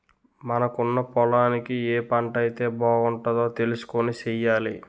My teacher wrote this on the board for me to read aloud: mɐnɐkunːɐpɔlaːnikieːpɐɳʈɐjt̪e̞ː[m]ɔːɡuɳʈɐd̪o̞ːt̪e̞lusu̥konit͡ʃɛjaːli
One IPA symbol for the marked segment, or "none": b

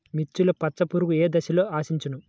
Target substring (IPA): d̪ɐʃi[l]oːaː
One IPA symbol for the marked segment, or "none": l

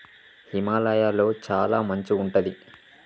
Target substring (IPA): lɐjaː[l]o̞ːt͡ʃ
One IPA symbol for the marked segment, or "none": l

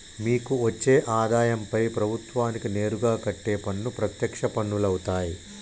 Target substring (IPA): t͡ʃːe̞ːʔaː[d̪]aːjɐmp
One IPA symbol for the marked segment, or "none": d̪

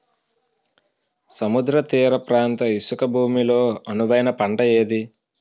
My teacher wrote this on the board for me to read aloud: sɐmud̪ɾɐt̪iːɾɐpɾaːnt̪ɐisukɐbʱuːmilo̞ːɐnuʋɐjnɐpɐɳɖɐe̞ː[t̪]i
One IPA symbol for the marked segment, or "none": d̪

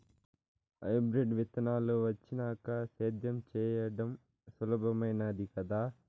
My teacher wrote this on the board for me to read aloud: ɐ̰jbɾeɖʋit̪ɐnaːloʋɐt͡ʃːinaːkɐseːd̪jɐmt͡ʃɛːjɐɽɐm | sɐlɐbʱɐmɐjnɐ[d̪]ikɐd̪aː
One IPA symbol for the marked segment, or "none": d̪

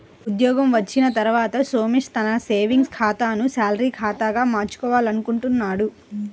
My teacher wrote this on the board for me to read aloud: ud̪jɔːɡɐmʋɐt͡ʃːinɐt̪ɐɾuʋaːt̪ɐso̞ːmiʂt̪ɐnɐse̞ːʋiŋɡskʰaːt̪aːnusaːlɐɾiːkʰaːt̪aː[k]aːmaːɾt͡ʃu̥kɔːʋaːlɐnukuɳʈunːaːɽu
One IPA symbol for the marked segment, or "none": ɡ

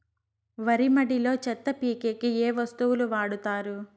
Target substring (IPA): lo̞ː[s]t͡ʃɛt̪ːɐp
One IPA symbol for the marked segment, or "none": none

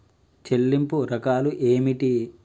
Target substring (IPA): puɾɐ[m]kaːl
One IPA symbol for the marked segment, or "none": none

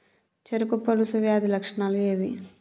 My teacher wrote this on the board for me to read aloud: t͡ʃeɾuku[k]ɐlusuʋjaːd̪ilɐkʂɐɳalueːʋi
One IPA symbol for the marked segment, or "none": p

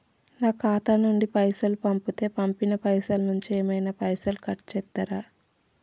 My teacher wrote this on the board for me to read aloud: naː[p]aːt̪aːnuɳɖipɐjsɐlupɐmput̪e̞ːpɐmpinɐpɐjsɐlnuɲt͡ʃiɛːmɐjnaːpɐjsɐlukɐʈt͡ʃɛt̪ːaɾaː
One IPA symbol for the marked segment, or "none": k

